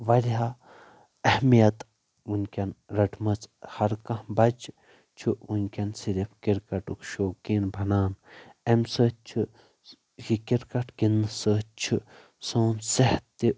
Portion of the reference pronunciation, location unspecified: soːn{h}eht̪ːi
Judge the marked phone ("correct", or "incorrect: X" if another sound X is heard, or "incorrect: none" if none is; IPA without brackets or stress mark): incorrect: s